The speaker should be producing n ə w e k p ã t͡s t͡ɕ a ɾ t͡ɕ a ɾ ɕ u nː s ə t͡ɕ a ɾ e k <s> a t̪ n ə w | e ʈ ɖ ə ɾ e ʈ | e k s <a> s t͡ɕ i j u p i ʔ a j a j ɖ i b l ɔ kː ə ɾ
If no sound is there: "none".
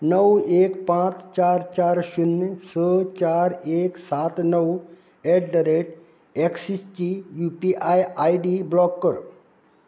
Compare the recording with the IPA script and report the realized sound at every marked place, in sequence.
s, i

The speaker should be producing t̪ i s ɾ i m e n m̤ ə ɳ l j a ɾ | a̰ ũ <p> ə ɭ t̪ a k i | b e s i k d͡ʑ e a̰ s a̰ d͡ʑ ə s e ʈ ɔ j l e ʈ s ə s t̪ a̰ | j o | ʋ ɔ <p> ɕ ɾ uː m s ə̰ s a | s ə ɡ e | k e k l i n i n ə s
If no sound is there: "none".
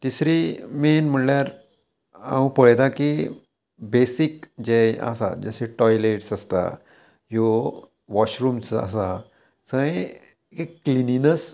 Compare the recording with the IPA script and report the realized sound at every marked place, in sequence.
p, none

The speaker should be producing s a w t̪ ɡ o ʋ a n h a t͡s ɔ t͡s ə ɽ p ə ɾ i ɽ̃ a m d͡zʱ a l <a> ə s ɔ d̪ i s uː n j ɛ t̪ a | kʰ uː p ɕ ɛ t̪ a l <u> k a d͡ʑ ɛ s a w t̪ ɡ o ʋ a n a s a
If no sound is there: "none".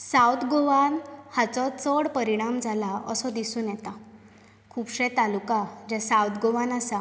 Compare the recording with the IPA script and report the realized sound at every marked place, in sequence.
a, u

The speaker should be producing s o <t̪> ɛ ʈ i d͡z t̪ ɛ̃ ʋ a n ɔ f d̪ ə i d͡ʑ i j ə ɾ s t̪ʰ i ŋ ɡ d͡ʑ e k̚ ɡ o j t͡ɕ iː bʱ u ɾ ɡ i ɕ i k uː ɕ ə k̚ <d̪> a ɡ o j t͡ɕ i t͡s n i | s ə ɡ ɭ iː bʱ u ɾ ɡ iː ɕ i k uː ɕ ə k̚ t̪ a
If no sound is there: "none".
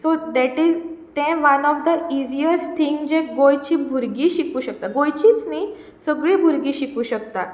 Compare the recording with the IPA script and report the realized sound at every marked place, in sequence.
d̪, t̪

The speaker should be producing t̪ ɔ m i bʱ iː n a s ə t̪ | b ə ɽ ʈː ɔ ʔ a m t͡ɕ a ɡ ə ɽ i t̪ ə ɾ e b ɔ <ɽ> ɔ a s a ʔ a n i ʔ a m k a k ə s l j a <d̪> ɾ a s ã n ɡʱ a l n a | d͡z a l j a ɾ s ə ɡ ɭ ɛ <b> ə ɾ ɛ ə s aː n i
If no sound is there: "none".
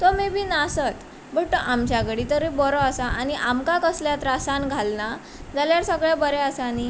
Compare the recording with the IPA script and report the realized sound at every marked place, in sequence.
ɾ, t̪, b

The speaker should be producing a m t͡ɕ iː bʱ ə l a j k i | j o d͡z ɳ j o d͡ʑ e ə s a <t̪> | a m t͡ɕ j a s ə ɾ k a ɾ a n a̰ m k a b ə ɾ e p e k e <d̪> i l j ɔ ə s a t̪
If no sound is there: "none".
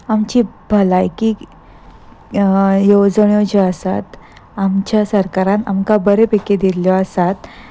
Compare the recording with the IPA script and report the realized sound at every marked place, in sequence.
t̪, d̪

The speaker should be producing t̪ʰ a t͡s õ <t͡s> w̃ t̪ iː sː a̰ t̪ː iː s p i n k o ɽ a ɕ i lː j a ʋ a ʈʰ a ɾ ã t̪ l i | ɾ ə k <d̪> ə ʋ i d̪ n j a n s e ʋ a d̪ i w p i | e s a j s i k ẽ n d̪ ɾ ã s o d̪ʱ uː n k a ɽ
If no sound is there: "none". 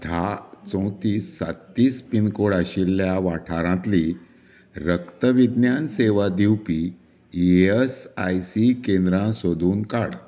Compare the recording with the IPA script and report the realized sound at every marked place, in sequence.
none, t̪

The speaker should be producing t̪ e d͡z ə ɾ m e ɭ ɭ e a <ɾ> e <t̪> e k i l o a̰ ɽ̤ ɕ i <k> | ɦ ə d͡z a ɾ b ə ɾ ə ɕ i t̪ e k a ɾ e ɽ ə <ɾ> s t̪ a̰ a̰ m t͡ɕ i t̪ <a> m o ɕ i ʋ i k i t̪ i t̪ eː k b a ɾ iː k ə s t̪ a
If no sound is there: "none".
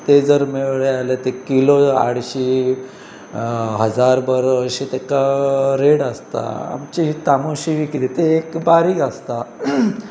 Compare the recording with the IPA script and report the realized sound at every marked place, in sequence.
l, t̪, none, none, a

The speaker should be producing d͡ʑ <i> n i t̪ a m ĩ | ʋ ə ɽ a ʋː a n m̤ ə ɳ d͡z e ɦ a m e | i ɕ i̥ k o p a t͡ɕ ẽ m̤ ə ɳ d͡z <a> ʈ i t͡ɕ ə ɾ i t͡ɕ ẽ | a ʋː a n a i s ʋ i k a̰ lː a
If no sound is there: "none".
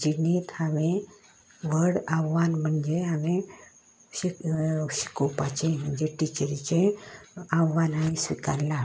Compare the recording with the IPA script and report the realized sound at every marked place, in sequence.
i, e

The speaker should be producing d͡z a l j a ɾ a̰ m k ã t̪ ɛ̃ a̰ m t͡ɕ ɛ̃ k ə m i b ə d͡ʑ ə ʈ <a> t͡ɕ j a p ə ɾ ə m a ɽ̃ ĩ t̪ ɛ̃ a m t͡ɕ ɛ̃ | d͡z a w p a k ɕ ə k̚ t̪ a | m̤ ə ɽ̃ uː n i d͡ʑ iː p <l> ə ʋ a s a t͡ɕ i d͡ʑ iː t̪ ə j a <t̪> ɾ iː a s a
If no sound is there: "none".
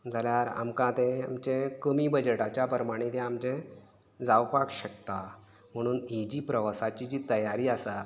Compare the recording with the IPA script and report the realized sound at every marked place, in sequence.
a, ɾ, none

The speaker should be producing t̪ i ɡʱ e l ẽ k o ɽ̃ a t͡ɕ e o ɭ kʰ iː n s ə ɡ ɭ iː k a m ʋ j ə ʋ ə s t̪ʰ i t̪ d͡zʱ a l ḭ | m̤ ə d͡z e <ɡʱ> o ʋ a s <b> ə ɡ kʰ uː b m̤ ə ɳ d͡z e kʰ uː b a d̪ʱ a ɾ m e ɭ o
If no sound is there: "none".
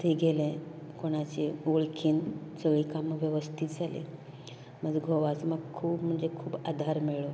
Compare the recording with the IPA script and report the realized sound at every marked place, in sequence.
ɡʱ, m

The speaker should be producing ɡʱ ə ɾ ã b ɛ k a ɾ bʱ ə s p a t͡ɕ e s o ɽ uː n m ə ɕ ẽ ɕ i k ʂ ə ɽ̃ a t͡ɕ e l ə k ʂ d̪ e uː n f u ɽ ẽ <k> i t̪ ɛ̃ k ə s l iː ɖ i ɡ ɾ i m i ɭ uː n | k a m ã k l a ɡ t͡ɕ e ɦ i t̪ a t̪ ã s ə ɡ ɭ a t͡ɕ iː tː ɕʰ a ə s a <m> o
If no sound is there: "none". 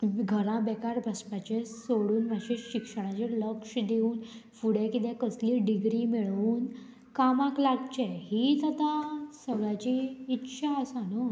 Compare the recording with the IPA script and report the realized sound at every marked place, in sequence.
k, n

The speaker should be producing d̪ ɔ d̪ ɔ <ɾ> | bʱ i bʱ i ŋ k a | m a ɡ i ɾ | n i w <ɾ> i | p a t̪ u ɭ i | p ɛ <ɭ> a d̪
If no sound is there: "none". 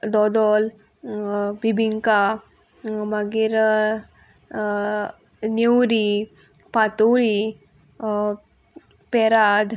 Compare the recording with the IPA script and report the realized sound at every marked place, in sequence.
l, ɾ, ɾ

